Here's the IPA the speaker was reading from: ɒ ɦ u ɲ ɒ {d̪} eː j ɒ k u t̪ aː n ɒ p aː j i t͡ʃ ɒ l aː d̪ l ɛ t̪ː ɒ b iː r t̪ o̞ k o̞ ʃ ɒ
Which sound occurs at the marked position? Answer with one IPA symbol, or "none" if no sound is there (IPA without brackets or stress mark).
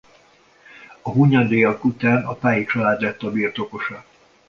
d̪